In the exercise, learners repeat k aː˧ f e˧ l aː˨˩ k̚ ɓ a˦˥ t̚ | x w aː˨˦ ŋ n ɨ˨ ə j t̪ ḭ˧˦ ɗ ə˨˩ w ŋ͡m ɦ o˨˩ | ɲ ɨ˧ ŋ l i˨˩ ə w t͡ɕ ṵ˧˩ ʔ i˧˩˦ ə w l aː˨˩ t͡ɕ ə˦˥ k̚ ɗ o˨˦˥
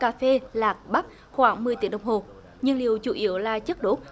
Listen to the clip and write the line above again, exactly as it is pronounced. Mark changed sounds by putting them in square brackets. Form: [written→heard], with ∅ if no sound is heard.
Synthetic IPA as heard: k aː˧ f e˧ l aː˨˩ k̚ ɓ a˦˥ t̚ | x w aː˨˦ ŋ [n→m] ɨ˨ ə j t̪ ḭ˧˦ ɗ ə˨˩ w ŋ͡m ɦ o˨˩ | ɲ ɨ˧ ŋ l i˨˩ ə w t͡ɕ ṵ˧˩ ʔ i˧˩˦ ə w l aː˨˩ t͡ɕ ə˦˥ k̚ ɗ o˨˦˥